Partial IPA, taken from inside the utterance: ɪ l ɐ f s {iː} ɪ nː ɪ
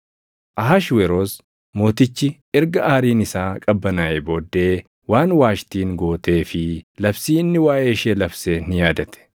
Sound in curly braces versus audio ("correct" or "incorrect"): correct